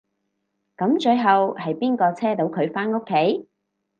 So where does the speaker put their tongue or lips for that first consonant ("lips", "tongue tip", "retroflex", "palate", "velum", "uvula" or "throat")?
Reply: velum